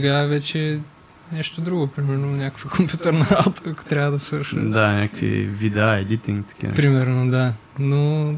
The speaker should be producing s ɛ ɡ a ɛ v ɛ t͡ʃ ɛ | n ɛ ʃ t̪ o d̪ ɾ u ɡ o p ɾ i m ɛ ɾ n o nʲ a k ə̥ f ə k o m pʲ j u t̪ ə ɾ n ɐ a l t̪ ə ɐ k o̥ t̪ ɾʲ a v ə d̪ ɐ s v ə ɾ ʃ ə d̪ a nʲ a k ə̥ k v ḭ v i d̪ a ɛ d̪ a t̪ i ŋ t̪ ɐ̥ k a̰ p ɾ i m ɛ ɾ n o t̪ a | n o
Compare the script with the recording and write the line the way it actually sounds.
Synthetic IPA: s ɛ ɡ a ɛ v ɛ t͡ʃ ɛ | n ɛ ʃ t̪ o d̪ ɾ u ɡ o p ɾ i m ɛ ɾ n o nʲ a k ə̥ f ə k o m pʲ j u t̪ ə ɾ n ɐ a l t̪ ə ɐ k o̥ t̪ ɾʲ a v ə d̪ ɐ s v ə ɾ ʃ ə d̪ a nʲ a k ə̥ k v ḭ v i d̪ a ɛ d̪ i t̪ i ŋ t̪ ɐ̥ k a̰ p ɾ i m ɛ ɾ n o d̪ a | n o